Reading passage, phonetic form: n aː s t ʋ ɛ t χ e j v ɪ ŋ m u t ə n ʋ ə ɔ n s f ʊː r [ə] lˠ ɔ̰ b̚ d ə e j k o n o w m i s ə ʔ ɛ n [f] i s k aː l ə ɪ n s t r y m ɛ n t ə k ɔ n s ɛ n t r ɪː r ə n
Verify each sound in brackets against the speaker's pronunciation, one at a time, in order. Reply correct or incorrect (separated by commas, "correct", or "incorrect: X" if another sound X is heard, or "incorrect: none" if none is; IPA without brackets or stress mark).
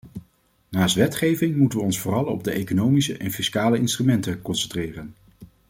incorrect: ɑ, correct